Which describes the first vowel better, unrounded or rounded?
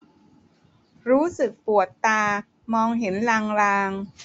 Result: rounded